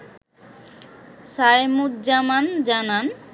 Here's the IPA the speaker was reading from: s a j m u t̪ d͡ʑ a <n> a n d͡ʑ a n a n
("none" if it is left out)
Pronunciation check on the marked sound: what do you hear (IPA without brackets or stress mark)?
m